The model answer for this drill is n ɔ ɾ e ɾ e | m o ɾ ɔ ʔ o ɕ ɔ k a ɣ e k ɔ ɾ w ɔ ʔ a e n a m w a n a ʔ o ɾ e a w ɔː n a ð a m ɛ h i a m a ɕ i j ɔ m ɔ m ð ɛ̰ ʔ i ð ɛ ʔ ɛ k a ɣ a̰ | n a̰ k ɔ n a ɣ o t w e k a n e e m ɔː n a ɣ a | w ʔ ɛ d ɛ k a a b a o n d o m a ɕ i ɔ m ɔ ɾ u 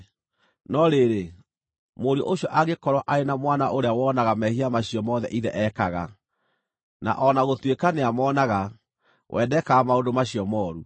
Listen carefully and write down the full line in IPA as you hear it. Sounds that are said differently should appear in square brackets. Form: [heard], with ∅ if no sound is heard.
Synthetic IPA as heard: n ɔ ɾ e ɾ e | m o ɾ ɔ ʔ o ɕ ɔ [ʔ] a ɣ e k ɔ ɾ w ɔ ʔ a e n a m w a n a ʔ o ɾ e a w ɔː n a [ɣ] a m ɛ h i a m a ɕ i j ɔ m ɔ [∅] ð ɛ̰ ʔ i ð ɛ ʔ ɛ k a ɣ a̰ | n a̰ [ʔ] ɔ n a ɣ o t w e k a n e [a] m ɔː n a ɣ a | w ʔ ɛ d ɛ k a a [m] a o n d o m a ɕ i ɔ m ɔ ɾ u